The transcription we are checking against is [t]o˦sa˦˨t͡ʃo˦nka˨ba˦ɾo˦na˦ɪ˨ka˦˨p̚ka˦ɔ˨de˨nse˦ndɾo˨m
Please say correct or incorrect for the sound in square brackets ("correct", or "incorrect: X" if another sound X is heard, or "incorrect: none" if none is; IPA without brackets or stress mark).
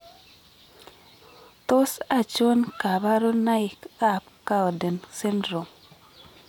correct